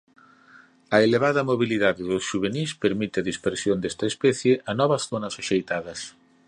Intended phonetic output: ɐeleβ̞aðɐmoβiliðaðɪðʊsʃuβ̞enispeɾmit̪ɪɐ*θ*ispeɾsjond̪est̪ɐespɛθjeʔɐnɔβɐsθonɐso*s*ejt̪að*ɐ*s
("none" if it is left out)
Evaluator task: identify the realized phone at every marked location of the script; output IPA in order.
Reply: ð, ʃ, ɐ

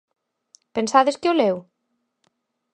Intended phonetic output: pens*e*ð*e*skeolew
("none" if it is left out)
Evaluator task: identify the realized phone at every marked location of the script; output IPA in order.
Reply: a, e

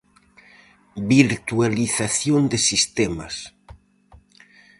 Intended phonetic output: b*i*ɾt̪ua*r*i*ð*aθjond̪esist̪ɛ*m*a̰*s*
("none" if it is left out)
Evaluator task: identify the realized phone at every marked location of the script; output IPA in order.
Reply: i, l, θ, m, s

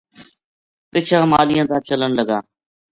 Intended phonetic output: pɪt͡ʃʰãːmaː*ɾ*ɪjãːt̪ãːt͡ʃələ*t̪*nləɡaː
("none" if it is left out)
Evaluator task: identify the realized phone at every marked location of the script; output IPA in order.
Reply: l, none

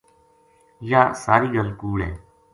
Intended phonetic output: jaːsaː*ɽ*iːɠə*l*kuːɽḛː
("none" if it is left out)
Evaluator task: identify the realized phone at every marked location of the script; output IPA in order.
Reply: ɾ, l

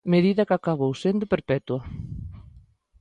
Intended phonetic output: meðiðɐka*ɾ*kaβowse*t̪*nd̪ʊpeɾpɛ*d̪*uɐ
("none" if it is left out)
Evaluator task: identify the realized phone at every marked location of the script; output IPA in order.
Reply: none, none, t̪

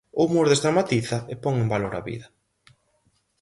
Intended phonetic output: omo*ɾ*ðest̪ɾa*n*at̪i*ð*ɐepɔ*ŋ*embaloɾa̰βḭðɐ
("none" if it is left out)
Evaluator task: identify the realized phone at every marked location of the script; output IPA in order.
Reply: ɾ, m, θ, ŋ

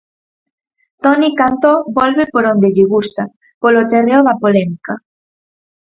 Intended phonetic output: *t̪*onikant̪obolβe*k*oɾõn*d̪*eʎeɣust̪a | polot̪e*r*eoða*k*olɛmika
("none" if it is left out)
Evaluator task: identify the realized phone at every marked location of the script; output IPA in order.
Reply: t̪, p, d̪, r, p

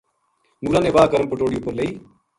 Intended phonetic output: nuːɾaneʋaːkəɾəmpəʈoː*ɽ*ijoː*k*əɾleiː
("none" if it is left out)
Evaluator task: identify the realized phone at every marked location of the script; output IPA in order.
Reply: ɽ, p

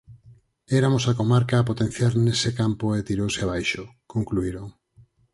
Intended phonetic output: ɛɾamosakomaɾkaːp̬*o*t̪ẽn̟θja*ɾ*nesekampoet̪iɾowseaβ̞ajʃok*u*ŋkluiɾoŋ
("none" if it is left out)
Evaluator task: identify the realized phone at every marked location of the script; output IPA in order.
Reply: o, ɾ, o

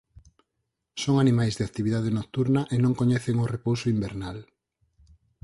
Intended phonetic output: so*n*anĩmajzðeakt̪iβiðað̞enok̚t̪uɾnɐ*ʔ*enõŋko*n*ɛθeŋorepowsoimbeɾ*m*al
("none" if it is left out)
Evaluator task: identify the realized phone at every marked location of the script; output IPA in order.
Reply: ŋ, ʔ, ɲ, n

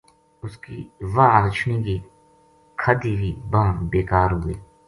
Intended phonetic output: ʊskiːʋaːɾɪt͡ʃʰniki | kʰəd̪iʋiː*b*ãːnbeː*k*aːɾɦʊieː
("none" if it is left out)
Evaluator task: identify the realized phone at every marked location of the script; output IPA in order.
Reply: b, k

